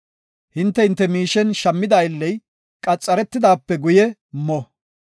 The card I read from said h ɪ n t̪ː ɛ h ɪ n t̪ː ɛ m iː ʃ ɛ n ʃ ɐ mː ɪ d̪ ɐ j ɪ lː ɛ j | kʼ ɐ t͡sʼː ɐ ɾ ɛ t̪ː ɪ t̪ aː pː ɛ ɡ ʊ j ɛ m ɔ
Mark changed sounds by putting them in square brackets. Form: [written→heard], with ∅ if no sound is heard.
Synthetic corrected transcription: h ɪ n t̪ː ɛ h ɪ n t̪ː ɛ m iː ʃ ɛ n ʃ ɐ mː ɪ d̪ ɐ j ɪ lː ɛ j | kʼ ɐ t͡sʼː ɐ ɾ ɛ t̪ː ɪ [t̪→d̪] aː pː ɛ ɡ ʊ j ɛ m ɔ